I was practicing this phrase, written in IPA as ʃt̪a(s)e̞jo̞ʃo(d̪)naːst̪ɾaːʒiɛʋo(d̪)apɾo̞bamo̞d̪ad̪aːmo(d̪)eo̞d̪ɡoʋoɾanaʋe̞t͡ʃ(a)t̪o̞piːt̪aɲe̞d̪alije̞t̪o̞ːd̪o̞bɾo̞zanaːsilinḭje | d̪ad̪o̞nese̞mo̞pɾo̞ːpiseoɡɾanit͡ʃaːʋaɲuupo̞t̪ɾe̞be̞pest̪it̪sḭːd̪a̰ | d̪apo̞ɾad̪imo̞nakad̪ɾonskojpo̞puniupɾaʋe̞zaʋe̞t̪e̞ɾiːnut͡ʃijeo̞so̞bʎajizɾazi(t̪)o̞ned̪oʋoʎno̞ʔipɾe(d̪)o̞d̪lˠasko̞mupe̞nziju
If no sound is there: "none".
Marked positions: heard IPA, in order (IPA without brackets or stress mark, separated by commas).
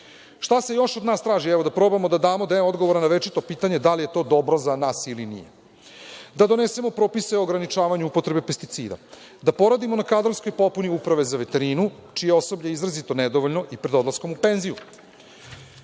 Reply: s, d̪, d̪, d̪, i, t̪, d̪